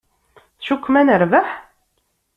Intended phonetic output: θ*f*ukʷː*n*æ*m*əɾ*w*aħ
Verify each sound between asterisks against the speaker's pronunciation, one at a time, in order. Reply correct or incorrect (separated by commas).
incorrect, incorrect, incorrect, incorrect